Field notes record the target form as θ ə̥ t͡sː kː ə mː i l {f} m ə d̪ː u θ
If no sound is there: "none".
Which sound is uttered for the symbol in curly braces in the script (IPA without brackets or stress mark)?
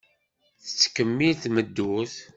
θ